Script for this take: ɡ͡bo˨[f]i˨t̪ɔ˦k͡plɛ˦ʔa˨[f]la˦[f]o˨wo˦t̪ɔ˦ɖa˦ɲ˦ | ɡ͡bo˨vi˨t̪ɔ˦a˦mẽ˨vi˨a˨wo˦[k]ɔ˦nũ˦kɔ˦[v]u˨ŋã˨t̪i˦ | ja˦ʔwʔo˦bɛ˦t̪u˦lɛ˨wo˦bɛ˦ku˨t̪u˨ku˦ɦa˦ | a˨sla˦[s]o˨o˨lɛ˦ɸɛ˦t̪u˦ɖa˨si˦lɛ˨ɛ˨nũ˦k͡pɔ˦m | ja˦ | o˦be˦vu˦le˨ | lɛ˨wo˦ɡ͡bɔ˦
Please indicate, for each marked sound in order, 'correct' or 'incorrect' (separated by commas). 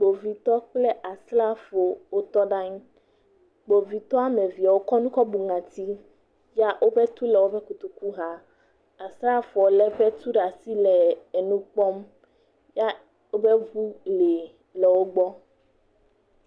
incorrect, incorrect, correct, correct, incorrect, incorrect